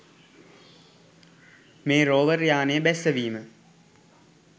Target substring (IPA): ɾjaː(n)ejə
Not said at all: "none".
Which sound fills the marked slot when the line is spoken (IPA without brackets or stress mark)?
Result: n